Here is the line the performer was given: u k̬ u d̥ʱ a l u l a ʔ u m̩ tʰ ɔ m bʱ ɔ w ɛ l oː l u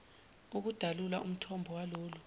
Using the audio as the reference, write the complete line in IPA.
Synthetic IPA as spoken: u k̬ u d̥ʱ a l u l a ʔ u m̩ tʰ ɔ m bʱ ɔ w a l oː l u